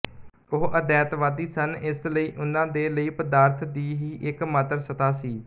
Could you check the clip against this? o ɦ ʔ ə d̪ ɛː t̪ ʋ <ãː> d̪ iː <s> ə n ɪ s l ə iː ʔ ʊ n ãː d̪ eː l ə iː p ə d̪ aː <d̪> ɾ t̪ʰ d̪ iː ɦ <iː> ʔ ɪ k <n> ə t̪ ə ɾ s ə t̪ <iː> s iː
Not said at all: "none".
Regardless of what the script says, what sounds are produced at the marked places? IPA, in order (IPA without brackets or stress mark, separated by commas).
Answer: aː, s, none, iː, m, aː